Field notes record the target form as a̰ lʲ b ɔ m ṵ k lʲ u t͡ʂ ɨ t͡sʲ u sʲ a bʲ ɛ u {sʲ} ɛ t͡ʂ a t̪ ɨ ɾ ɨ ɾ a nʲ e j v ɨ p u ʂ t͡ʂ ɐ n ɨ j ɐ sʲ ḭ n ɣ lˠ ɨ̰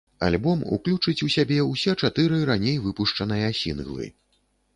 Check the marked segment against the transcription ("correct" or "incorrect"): correct